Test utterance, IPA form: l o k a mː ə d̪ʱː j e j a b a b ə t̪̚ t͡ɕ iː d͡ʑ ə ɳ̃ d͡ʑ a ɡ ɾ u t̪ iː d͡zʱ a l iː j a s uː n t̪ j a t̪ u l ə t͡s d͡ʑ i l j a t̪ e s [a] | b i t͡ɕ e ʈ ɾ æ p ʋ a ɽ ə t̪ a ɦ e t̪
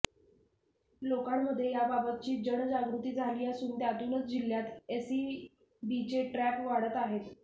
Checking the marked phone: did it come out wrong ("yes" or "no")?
yes